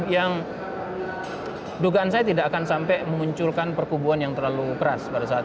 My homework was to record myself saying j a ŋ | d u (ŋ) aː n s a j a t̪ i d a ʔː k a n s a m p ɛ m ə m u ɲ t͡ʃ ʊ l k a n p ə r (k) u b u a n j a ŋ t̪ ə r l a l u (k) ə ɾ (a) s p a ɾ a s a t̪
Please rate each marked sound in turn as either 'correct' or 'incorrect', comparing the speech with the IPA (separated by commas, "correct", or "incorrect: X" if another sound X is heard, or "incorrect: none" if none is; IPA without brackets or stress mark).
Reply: incorrect: ɡ, correct, correct, correct